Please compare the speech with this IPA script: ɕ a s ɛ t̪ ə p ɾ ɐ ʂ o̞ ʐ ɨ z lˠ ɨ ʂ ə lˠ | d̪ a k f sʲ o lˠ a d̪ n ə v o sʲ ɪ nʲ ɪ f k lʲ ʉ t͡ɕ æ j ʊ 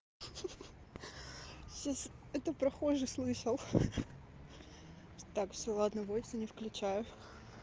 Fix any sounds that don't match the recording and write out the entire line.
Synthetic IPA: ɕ a s ɛ t̪ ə p ɾ ɐ x o̞ ʐ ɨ s lˠ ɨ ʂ ə lˠ | t̪ a k f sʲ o lˠ a d̪ n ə v o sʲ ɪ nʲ ɪ f k lʲ ʉ t͡ɕ æ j ʊ